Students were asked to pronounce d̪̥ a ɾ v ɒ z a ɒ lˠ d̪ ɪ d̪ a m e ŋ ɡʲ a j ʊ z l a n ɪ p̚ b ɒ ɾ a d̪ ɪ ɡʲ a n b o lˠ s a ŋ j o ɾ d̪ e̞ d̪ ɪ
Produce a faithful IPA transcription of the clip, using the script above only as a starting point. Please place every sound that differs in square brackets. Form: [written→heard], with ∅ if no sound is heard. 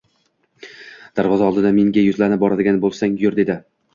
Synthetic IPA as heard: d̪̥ a ɾ v ɒ z a ɒ lˠ d̪ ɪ d̪ a m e ŋ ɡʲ a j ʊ z l a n ɪ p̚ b ɒ ɾ a d̪ ɪ ɡʲ a n b o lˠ s a ŋ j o ɾ d̪ e̞ d̪ ɪ